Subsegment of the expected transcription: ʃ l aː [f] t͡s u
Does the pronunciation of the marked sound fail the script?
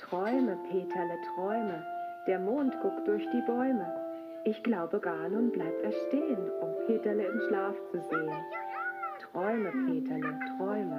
no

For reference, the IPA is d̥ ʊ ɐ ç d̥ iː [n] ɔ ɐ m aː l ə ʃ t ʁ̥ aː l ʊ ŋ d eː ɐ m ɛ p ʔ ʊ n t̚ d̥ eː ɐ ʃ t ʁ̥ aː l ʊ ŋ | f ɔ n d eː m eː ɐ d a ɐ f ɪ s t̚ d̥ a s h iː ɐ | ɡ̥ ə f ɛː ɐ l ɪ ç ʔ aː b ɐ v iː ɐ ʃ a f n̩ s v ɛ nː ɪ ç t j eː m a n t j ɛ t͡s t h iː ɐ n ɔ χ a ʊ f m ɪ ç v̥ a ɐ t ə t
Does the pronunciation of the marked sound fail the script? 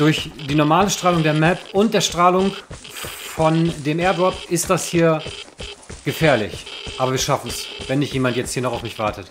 no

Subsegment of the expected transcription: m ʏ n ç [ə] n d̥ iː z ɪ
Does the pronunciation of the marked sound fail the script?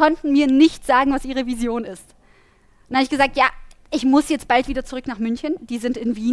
no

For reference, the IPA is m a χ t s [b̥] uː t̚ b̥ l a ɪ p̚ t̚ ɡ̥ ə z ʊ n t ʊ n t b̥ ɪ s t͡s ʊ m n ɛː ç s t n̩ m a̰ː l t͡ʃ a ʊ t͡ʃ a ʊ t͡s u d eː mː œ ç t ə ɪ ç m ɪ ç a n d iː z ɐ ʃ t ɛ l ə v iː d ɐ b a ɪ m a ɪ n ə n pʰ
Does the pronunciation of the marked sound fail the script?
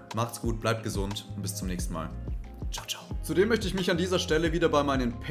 yes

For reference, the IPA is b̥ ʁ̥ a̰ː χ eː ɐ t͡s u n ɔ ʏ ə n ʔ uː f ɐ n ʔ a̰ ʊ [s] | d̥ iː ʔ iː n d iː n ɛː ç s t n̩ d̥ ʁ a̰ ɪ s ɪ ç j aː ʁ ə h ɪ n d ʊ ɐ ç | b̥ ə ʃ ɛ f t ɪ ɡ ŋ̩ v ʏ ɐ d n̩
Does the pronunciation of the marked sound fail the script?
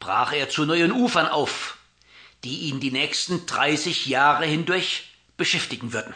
yes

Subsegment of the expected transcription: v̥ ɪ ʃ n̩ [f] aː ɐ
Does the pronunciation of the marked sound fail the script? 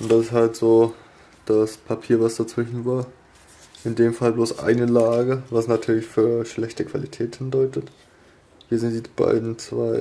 yes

